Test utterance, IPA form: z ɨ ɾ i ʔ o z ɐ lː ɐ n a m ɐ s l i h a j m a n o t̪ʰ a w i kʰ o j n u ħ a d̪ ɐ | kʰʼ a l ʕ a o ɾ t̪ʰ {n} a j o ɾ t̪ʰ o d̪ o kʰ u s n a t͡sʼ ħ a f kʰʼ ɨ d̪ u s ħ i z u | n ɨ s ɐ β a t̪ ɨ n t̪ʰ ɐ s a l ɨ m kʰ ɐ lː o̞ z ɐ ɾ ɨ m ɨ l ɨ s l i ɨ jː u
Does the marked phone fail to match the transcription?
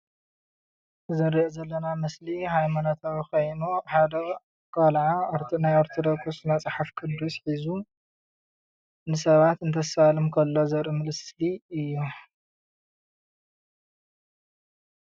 no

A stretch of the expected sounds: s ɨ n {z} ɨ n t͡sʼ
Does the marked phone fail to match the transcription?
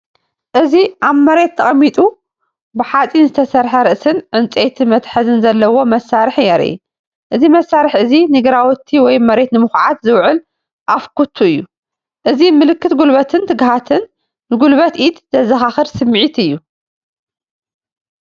yes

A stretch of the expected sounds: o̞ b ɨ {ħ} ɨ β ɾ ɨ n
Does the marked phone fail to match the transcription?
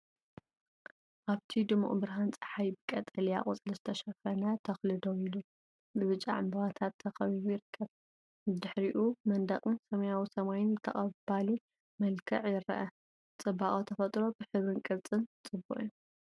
no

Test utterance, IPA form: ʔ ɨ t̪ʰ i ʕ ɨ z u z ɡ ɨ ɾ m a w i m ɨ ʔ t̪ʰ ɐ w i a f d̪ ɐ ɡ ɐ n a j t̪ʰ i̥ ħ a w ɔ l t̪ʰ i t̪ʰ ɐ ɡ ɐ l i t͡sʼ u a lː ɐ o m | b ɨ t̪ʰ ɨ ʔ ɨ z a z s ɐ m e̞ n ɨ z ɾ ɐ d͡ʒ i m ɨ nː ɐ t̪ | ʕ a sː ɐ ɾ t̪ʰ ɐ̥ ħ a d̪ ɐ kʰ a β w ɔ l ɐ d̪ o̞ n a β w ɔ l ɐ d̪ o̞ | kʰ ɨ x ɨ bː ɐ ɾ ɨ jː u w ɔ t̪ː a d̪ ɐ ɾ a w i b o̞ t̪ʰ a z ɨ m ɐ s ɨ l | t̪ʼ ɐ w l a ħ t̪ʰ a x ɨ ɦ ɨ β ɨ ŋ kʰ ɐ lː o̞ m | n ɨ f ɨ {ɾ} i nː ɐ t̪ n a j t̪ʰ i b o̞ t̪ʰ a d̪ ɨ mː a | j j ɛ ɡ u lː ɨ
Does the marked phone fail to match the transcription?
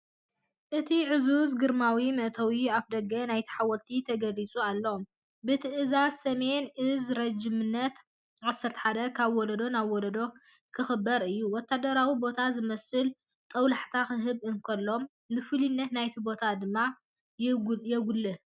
yes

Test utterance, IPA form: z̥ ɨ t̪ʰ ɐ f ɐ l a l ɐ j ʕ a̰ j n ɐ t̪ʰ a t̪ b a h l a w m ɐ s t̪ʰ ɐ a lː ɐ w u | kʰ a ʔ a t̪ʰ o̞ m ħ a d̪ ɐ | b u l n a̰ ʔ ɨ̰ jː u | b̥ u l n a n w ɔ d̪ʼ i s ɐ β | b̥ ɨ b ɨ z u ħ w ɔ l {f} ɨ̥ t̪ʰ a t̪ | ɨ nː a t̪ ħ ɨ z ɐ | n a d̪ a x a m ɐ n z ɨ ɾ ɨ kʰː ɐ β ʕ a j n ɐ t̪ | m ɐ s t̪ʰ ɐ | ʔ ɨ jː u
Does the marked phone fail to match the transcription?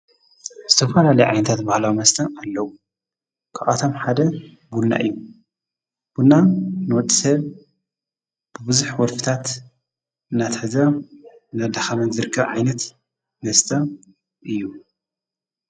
no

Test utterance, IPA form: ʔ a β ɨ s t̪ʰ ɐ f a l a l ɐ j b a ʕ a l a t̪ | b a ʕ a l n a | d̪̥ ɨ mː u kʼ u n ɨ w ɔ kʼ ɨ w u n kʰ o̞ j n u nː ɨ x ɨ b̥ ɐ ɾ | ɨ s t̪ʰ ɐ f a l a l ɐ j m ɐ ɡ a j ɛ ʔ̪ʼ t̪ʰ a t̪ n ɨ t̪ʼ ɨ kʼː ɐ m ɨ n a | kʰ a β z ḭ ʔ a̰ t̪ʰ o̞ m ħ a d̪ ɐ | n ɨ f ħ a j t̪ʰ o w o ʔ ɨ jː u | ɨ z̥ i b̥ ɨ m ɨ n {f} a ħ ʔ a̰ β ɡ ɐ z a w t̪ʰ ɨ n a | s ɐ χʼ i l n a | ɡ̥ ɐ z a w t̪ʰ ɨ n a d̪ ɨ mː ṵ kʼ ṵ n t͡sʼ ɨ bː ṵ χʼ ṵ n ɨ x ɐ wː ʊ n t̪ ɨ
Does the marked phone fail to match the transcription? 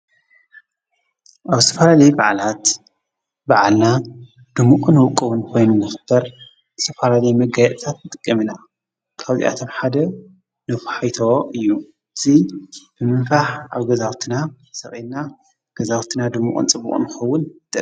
no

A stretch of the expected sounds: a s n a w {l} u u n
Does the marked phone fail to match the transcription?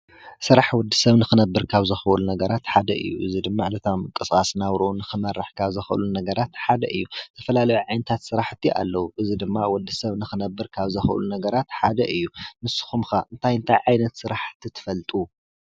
yes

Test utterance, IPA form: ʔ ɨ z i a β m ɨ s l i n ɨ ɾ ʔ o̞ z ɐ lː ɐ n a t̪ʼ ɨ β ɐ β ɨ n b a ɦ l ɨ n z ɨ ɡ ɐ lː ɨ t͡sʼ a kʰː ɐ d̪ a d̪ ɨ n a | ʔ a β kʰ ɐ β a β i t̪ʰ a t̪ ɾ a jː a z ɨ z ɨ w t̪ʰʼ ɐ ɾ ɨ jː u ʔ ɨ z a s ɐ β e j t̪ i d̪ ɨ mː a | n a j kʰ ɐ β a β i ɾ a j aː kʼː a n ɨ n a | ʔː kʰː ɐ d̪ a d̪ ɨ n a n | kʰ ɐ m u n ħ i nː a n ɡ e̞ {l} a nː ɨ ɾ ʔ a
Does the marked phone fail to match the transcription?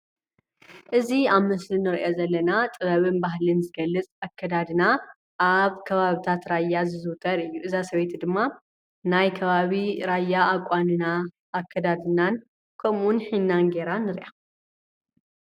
yes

